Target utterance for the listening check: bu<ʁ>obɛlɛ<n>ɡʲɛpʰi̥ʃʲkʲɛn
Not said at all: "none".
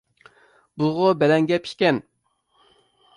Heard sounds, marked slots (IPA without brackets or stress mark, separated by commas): ʁ, ŋ